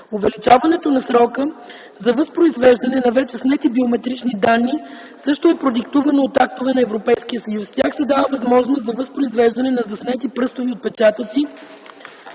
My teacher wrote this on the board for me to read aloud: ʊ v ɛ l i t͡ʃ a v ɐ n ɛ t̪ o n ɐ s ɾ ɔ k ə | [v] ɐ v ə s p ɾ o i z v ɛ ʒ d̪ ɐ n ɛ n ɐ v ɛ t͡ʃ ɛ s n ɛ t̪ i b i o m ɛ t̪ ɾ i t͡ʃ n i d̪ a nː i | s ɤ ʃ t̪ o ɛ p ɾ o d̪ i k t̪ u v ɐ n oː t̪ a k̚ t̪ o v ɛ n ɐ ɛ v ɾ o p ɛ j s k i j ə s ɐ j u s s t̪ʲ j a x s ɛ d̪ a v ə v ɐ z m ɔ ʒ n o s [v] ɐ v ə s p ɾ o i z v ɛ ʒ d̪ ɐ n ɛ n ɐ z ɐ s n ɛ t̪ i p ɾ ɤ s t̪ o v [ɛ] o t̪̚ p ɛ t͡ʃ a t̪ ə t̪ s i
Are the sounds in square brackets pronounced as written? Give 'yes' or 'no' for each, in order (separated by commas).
no, no, no